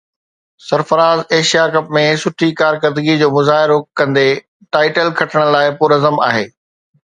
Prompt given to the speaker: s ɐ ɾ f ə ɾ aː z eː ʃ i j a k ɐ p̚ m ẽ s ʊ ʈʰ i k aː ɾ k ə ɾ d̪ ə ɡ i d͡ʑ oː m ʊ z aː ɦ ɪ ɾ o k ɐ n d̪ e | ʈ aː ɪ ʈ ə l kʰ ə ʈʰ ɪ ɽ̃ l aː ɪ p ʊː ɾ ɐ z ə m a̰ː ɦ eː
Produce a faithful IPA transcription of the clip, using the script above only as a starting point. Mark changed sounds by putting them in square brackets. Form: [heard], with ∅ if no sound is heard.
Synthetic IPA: s ɐ ɾ f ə ɾ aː z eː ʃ i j a k ɐ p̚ m ẽ s ʊ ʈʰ i k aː ɾ k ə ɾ d̪ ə ɡ i d͡ʑ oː m ʊ z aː ɦ ɪ ɾ o k [ɐ̃] n d̪ e | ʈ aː ɪ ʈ ə l kʰ [ɐ] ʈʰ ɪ ɽ̃ l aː ɪ p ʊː ɾ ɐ z ə m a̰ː ɦ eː